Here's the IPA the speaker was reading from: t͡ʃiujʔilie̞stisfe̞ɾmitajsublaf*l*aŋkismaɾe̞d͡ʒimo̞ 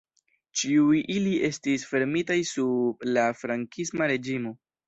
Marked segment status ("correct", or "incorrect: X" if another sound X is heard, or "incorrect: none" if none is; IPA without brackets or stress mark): incorrect: ɾ